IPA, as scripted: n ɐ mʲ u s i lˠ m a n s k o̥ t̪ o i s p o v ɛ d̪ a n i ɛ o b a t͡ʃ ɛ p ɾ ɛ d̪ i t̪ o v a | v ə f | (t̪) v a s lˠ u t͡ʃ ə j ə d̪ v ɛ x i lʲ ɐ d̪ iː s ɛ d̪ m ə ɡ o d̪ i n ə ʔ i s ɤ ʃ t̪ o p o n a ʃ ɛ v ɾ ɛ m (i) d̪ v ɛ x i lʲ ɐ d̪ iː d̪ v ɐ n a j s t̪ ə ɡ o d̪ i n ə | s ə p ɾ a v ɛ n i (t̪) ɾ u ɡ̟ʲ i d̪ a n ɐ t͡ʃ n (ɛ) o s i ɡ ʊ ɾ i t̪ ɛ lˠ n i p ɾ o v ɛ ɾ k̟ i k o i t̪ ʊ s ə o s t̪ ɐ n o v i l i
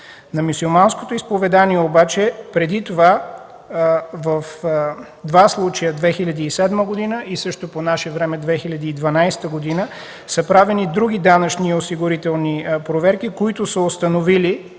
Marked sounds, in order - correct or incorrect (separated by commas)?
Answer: incorrect, incorrect, incorrect, incorrect